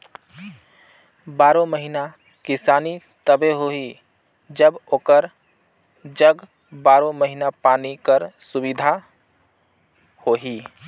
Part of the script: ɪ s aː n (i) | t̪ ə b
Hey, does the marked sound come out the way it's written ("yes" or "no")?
yes